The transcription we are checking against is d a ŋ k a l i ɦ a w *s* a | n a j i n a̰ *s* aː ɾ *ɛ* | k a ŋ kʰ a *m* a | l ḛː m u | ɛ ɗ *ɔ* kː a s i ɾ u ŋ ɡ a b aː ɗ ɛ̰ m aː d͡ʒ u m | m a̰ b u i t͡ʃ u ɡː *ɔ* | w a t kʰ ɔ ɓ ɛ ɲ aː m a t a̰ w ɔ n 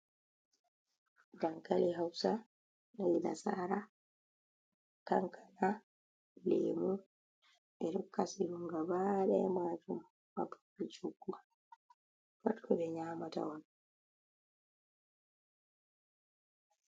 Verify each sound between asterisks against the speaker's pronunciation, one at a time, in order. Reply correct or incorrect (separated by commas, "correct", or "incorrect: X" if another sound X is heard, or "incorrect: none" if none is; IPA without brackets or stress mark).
correct, correct, incorrect: a, incorrect: n, correct, incorrect: u